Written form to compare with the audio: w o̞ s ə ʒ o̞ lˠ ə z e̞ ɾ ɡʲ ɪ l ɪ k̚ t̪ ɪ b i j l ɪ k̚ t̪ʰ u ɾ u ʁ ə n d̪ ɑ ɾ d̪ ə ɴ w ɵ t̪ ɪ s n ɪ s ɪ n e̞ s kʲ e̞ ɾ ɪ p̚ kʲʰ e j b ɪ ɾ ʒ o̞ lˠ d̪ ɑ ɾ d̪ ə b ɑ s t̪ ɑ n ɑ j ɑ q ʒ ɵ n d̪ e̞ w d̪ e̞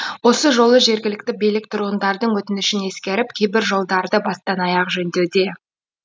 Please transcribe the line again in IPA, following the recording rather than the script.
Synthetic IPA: w o̞ s ə ʒ o̞ lˠ ə ʒ e̞ ɾ ɡʲ ɪ l ɪ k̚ t̪ ɪ b i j l ɪ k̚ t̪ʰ ʊ ɾ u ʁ ə n d̪ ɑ ɾ d̪ ə ɴ w ɵ t̪ ɪ n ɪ ʃ ɪ n e̞ s kʲ e̞ ɾ ɪ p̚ kʲʰ e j b ɪ ɾ ʒ o̞ lˠ d̪ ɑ ɾ d̪ ə b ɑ s t̪ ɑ n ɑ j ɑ q ʒ ɵ n d̪ e̞ w d̪ e̞